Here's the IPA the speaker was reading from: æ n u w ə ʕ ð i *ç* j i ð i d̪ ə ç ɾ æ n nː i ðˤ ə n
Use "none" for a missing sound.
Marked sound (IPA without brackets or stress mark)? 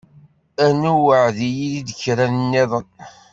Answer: none